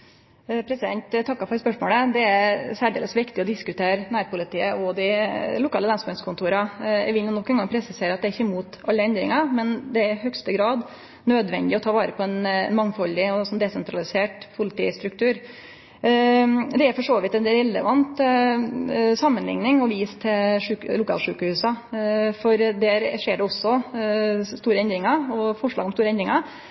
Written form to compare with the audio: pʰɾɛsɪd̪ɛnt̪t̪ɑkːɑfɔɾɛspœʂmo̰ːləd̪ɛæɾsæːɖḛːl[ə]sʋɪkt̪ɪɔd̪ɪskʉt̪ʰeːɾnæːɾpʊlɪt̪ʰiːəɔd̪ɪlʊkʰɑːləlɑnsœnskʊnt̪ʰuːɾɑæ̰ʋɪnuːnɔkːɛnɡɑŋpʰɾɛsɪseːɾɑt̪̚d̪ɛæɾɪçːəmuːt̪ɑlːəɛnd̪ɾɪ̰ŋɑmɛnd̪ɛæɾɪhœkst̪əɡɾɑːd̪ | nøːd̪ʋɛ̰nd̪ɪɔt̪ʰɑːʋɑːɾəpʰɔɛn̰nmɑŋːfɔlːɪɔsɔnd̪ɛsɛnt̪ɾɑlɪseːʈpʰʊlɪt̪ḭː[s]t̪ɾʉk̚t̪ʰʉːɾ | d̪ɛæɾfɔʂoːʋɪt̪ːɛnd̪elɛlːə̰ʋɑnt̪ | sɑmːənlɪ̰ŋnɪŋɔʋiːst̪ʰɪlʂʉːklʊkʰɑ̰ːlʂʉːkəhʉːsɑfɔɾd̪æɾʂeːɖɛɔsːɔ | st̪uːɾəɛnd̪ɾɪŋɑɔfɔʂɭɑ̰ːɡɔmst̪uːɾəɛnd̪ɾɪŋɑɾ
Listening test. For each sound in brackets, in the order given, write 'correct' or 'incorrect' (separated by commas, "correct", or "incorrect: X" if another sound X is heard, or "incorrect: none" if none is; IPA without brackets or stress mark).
correct, correct